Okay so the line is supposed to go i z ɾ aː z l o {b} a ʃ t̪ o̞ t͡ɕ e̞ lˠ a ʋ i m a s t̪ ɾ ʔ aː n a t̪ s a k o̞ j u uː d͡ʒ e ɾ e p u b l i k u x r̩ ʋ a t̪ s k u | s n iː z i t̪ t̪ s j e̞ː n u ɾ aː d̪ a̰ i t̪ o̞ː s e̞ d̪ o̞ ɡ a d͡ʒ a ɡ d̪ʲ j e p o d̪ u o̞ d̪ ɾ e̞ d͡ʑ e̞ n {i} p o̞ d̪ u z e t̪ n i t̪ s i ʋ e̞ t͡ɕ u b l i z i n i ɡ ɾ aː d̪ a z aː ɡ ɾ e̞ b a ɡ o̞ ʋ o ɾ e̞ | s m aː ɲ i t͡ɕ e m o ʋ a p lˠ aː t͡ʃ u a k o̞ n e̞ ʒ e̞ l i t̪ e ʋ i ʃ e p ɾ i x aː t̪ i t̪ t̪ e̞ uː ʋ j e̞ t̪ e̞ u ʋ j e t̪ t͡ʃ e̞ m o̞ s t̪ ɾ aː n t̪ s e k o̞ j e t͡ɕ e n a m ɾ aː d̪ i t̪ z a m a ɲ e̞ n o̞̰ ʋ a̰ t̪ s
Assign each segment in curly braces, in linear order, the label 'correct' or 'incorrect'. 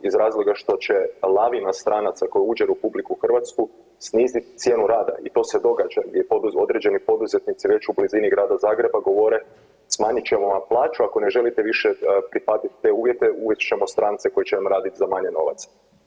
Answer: incorrect: ɡ, correct

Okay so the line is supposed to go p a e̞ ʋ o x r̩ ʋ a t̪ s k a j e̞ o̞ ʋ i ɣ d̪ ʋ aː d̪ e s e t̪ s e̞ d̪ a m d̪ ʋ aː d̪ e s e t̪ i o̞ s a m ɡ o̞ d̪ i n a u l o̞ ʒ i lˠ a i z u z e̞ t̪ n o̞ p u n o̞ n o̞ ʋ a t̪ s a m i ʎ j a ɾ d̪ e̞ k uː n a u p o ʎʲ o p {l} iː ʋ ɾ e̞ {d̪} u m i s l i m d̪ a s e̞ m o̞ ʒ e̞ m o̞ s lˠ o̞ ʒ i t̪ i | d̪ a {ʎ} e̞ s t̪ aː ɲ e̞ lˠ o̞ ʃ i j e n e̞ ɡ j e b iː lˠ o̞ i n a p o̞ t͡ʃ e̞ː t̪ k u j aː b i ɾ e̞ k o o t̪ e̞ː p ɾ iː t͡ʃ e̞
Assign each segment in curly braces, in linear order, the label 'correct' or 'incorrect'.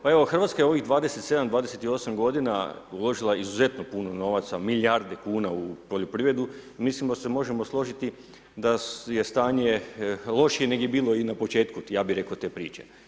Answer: incorrect: ɾ, correct, incorrect: j

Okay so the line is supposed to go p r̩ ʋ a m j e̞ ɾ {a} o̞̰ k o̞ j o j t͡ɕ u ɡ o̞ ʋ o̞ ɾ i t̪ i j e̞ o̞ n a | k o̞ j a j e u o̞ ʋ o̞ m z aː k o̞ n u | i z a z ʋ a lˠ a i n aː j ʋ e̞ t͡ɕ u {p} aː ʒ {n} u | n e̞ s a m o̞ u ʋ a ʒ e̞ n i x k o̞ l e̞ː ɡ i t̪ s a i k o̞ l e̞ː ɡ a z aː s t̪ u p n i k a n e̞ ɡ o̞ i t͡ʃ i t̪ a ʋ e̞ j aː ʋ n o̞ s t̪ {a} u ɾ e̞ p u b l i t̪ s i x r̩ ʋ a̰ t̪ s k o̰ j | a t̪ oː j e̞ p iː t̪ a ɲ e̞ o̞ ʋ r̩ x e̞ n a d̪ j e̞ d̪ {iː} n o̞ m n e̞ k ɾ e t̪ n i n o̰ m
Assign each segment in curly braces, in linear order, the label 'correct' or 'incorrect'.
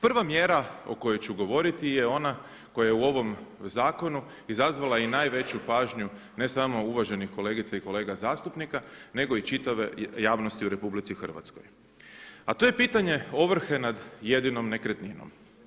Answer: correct, correct, incorrect: ɲ, incorrect: i, incorrect: i

